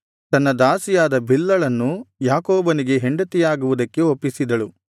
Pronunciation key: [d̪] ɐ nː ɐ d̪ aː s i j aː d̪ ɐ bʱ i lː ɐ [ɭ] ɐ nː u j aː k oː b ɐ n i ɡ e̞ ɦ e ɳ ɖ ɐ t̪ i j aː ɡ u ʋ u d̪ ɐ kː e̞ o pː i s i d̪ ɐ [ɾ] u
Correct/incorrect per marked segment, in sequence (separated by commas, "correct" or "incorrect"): incorrect, correct, incorrect